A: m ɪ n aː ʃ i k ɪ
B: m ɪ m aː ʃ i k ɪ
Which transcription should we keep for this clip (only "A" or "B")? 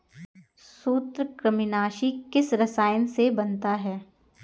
A